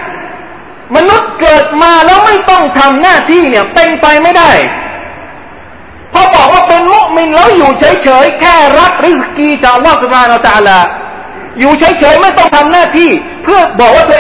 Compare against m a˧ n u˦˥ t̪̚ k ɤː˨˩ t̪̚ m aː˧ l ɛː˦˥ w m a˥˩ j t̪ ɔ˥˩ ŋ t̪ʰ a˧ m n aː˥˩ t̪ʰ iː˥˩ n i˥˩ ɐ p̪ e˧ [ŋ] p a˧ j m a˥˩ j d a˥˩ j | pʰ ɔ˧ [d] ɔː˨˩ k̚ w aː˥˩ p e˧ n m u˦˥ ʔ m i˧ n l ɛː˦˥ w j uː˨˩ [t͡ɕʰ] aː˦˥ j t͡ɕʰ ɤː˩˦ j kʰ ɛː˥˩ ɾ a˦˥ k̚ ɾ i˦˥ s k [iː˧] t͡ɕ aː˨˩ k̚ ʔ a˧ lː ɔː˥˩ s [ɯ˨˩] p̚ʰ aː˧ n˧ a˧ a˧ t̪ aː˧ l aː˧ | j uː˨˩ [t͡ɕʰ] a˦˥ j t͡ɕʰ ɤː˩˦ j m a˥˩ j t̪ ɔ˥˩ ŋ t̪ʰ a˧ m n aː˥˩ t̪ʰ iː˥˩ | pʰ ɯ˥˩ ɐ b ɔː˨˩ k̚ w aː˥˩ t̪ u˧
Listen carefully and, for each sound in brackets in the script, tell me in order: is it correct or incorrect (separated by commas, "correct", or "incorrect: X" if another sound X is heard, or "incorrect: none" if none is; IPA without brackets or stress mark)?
correct, incorrect: b, correct, correct, incorrect: u˨˩, correct